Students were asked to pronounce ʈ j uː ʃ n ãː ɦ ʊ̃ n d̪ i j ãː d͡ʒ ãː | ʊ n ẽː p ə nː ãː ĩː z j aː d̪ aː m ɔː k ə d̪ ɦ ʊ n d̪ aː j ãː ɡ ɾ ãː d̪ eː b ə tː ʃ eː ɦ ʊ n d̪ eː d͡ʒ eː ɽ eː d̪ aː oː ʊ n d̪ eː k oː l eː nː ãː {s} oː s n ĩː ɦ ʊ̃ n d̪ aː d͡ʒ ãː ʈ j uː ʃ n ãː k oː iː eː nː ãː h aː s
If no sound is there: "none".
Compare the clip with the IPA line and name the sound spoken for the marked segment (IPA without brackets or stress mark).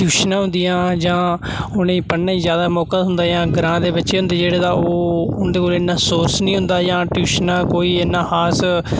s